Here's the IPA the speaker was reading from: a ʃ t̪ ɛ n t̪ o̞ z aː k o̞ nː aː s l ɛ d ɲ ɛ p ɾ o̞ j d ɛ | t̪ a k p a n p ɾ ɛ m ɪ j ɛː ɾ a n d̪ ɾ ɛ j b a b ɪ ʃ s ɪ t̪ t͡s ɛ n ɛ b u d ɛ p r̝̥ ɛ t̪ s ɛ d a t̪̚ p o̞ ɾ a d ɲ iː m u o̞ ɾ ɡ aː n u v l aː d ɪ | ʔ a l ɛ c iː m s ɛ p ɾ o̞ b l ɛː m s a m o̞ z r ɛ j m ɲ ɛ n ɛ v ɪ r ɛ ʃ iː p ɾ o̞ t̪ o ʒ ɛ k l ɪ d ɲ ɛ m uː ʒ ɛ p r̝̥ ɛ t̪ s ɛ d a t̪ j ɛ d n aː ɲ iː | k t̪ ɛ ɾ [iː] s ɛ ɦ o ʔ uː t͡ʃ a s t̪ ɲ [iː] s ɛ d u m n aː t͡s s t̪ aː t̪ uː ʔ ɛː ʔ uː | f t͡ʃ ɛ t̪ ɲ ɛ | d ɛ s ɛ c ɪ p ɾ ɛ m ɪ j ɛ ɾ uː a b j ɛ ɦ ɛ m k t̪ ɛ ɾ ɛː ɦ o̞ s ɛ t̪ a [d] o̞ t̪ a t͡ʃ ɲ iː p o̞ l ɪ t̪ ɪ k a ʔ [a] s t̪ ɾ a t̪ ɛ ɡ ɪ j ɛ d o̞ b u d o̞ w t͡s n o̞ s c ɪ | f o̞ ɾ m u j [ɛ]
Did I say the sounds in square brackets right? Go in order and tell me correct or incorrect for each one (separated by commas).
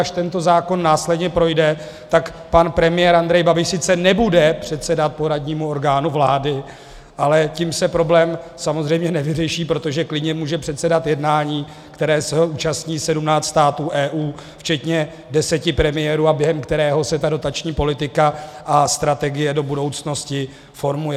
incorrect, correct, correct, correct, correct